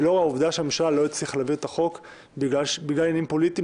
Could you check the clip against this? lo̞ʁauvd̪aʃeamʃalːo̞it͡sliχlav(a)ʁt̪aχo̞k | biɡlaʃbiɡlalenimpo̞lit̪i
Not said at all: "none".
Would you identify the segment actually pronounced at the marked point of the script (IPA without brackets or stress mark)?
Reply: i